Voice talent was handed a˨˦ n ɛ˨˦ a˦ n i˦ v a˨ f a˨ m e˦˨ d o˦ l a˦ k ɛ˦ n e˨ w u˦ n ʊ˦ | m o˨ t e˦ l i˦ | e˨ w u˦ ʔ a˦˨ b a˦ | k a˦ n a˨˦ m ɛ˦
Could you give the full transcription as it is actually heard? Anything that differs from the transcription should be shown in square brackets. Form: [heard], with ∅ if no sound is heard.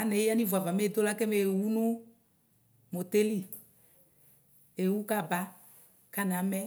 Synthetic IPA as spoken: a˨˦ n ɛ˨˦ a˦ n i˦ v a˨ [v] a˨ m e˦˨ d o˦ l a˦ k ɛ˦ [m] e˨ w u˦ n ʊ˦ | m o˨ t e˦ l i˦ | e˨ w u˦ [k] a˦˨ b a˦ | k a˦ n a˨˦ m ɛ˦